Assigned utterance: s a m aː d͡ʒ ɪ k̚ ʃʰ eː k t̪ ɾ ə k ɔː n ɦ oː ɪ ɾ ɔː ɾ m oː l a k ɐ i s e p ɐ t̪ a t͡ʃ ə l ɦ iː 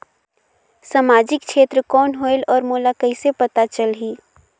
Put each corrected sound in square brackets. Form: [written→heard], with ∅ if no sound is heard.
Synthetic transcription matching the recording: s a m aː d͡ʒ ɪ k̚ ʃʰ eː [k→∅] t̪ ɾ ə k ɔː n ɦ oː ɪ [ɾ→l] ɔː ɾ m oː l a k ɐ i s e p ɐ t̪ a t͡ʃ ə l ɦ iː